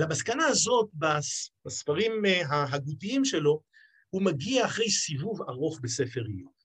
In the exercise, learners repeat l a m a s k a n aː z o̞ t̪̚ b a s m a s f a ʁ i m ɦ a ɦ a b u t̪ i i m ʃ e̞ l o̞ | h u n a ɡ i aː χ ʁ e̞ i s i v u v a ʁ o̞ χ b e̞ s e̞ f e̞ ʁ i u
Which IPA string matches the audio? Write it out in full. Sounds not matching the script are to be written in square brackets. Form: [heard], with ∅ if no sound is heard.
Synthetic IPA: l a m a s k a n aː z o̞ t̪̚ b a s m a s f a ʁ i m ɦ a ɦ a [ɡ] u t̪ i i m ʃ e̞ l o̞ | h u [m] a ɡ i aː χ ʁ e̞ [j] s i v u v a ʁ o̞ χ b e̞ s e̞ f e̞ ʁ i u